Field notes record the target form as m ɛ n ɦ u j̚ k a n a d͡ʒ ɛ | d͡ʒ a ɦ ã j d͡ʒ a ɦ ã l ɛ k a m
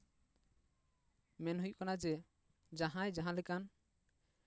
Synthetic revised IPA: m ɛ n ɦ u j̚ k a n a d͡ʒ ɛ | d͡ʒ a ɦ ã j d͡ʒ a ɦ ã l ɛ k a n